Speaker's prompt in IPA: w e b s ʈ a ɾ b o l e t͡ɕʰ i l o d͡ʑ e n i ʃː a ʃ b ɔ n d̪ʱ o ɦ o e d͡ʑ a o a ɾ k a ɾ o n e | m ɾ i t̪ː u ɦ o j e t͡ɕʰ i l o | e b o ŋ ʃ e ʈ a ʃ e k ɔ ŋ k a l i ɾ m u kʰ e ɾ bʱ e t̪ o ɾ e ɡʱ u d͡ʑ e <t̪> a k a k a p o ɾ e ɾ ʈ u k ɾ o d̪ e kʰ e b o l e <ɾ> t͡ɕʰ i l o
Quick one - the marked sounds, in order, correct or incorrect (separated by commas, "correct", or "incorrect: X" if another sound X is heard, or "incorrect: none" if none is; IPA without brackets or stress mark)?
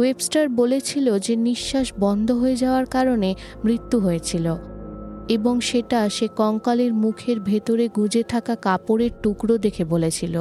incorrect: t̪ʰ, incorrect: none